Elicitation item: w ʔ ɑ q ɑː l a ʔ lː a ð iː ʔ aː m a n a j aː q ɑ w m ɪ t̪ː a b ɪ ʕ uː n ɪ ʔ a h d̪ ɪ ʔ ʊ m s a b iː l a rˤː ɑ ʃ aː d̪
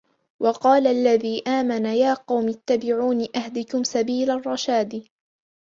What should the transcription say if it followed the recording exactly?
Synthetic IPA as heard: w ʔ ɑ q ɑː l a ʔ lː a ð iː ʔ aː m a n a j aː q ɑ w m ɪ t̪ː a b ɪ ʕ uː n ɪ ʔ a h d̪ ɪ k ʊ m s a b iː l a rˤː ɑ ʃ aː d̪